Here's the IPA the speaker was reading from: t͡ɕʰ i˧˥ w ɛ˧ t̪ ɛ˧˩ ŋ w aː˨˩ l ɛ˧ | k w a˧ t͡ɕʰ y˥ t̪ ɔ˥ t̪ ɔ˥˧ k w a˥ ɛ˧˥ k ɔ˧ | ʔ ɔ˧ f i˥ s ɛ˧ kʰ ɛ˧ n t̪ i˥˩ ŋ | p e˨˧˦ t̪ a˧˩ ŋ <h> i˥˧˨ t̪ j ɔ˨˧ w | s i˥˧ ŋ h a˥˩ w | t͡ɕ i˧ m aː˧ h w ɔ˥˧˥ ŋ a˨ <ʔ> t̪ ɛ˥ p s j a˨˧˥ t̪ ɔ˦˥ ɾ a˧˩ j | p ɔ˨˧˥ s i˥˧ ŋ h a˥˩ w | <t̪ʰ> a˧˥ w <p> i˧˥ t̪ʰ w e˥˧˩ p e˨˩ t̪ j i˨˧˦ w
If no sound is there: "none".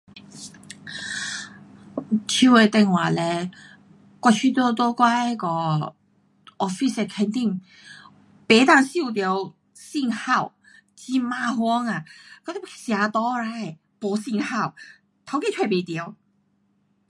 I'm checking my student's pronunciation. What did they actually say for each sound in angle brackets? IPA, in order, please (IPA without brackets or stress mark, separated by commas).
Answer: s, k, t̪ʰ, k